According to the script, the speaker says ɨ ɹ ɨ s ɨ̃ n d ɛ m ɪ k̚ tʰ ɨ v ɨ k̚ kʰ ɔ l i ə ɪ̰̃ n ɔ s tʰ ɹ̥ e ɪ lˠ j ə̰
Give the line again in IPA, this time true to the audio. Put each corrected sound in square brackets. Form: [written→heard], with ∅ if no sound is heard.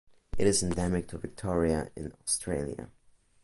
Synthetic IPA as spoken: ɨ [ɹ→ɾ] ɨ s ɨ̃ n d ɛ m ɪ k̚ tʰ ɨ v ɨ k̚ [kʰ→tʰ] ɔ [l→ɹ] i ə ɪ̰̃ n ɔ s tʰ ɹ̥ e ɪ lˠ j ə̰